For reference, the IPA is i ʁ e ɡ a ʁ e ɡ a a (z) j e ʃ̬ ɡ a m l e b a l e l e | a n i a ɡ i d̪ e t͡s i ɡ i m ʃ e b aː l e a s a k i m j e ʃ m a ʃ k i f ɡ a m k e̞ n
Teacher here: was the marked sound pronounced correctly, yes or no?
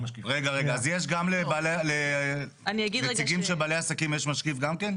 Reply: yes